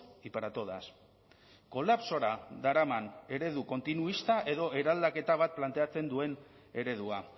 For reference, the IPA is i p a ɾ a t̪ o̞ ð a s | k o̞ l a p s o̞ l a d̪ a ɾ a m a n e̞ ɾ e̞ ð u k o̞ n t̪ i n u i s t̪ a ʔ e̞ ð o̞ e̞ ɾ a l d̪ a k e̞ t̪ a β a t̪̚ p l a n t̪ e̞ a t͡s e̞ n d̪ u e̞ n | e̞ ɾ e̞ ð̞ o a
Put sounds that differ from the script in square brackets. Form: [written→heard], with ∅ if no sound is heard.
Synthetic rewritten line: i p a ɾ a t̪ o̞ ð a s | k o̞ l a p s o̞ [l→ɾ] a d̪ a ɾ a m a n e̞ ɾ e̞ ð u k o̞ n t̪ i n u i s t̪ a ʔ e̞ ð o̞ e̞ ɾ a l d̪ a k e̞ t̪ a β a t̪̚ p l a n t̪ e̞ a t͡s e̞ n d̪ u e̞ n | e̞ ɾ e̞ ð̞ [o→u] a